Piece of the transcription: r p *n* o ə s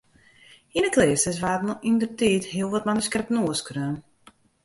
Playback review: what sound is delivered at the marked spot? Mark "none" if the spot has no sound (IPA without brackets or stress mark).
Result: n